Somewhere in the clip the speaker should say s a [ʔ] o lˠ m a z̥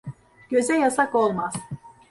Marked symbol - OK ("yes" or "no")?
no